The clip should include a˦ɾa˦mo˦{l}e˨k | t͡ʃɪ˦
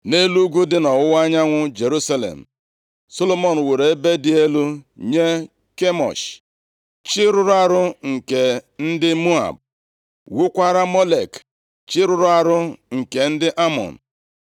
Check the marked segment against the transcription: correct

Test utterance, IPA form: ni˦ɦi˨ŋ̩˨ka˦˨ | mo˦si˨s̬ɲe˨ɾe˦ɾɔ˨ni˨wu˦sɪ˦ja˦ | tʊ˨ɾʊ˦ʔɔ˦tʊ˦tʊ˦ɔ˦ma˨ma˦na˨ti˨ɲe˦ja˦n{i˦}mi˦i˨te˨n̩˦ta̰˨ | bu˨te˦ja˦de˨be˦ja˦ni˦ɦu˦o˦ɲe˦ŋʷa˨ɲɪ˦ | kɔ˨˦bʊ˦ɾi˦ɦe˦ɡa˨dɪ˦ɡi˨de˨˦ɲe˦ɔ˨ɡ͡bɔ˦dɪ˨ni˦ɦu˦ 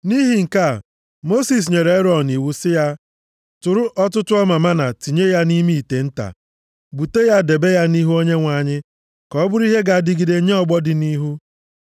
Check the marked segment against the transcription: correct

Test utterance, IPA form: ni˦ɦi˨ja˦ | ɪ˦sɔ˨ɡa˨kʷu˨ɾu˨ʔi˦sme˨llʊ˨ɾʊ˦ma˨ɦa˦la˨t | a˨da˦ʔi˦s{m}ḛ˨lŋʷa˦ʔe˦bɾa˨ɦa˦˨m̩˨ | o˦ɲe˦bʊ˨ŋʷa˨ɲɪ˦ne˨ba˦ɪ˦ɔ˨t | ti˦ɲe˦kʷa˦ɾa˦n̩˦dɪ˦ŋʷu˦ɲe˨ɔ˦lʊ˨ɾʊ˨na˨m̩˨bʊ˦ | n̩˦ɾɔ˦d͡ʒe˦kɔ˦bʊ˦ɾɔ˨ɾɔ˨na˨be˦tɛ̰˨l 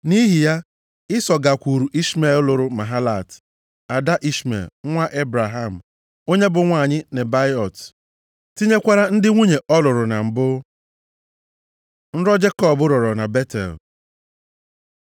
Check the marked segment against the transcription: correct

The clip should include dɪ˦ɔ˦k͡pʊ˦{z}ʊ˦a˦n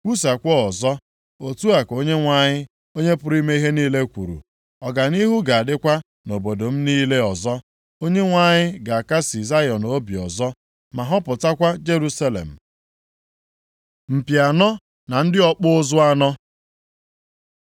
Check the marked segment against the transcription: correct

